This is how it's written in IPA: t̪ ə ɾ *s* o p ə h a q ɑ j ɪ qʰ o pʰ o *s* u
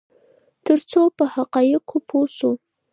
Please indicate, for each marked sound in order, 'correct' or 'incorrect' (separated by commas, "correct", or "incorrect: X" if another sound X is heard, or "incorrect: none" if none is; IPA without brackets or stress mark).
incorrect: t͡s, correct